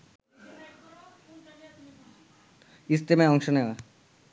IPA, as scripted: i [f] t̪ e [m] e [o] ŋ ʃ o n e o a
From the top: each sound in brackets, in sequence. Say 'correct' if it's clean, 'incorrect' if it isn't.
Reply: incorrect, correct, incorrect

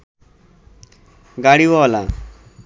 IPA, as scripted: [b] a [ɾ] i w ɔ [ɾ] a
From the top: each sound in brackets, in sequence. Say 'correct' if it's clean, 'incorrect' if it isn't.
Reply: incorrect, incorrect, incorrect

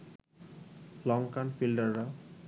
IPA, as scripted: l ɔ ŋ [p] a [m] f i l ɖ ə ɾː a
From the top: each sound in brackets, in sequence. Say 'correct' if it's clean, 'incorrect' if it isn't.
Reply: incorrect, incorrect

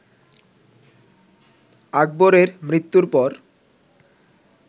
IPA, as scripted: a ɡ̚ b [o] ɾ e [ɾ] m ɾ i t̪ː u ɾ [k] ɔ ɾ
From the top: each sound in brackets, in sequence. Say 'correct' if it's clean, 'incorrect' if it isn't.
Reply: correct, correct, incorrect

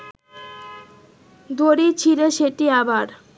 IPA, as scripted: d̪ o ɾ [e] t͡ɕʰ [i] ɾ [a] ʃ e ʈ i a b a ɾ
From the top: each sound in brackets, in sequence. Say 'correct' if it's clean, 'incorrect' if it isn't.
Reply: incorrect, correct, incorrect

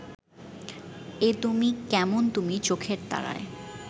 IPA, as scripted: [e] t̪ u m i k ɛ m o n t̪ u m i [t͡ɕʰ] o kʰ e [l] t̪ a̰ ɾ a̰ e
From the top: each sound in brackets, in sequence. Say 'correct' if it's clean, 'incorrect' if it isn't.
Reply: correct, incorrect, incorrect

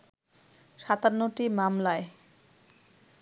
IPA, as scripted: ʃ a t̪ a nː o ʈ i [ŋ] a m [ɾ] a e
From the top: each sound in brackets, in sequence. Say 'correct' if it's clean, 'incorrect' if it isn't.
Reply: incorrect, incorrect

